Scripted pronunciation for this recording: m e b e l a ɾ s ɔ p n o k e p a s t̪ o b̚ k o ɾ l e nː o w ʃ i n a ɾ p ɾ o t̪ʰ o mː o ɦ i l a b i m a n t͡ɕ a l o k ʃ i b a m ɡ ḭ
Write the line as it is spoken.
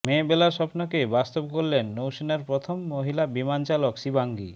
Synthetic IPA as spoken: m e b e l a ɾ ʃ ɔ p n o k e b a s t̪ o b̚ k o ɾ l e nː o w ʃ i n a ɾ p ɾ o t̪ʰ o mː o ɦ i l a b i m a n t͡ɕ a l o k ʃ i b a ŋ ɡ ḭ